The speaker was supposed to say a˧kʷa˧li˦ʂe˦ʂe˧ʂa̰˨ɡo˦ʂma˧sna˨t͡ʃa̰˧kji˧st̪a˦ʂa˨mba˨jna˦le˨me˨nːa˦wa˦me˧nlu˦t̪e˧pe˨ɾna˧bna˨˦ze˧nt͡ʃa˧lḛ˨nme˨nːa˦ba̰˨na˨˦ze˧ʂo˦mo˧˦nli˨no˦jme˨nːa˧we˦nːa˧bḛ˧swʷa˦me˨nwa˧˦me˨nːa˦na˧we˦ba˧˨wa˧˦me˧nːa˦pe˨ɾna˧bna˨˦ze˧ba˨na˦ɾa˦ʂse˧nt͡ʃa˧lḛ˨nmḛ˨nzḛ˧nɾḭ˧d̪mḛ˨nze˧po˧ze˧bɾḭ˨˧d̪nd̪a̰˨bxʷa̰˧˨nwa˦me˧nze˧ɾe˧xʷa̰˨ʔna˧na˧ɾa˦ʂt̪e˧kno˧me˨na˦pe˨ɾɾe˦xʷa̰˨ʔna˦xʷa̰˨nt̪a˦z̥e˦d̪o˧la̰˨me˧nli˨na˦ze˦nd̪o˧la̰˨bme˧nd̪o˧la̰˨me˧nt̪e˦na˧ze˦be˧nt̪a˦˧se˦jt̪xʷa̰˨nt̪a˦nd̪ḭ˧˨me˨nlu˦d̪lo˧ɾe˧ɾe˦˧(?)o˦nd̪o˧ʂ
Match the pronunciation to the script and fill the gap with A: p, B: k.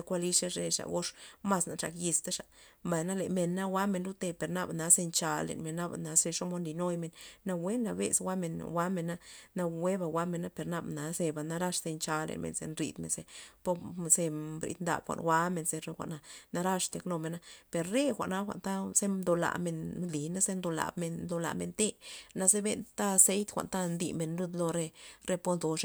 A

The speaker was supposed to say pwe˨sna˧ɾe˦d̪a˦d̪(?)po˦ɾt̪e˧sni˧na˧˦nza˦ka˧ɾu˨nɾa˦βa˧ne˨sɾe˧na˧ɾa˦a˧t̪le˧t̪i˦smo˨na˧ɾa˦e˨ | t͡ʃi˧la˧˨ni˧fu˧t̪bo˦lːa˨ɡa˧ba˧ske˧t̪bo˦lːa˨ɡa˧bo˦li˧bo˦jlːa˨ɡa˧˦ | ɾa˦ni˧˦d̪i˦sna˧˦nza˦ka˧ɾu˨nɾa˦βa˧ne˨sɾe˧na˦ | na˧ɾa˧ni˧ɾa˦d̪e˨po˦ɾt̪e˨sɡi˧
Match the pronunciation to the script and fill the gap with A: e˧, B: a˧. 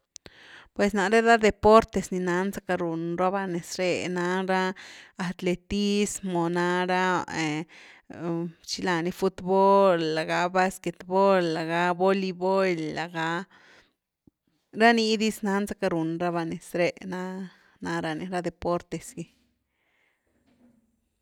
A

